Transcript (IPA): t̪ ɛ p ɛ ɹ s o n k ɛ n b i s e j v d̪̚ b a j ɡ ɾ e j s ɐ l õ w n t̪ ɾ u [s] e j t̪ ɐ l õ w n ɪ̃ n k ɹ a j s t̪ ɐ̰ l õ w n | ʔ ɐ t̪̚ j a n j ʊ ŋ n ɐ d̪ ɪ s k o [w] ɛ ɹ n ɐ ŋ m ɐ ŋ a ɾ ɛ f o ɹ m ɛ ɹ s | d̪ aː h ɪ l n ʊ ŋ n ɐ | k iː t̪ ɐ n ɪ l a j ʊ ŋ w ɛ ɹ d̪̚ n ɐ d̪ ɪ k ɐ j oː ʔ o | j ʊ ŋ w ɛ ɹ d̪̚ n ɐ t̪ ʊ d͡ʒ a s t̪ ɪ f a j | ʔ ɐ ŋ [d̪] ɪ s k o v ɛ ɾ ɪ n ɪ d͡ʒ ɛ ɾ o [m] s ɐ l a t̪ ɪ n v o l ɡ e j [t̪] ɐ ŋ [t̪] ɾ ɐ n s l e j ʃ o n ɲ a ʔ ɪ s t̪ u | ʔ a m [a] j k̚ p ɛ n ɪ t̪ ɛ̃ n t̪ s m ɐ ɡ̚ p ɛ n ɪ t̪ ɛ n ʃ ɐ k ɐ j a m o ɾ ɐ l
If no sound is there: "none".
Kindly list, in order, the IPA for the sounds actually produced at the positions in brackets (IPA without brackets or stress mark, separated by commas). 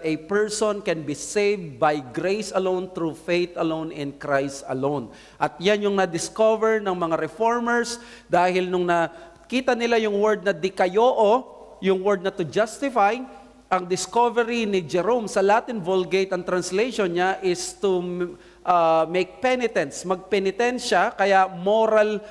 f, v, d̪, m, t̪, t̪, e